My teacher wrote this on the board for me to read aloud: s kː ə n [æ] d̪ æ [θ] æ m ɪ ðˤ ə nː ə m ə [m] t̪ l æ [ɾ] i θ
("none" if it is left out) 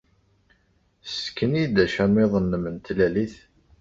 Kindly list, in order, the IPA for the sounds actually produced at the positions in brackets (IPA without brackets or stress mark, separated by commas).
i, ʃ, n, l